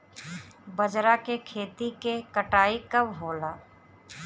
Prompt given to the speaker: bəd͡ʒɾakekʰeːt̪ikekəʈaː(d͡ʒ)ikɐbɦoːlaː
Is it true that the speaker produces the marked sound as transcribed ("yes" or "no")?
no